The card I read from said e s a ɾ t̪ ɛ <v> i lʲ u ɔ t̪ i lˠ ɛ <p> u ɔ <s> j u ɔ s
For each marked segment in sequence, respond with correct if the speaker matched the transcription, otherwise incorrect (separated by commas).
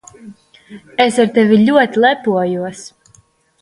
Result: correct, correct, incorrect